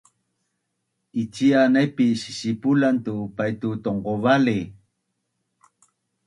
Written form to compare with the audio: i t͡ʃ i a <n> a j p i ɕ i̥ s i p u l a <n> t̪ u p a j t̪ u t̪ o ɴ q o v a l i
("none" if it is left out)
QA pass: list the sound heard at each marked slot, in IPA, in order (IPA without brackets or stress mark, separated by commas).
n, n